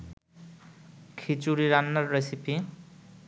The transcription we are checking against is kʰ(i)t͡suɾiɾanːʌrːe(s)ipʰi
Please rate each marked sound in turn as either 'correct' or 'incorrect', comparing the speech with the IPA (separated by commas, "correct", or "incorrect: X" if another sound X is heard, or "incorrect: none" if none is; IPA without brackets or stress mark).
correct, correct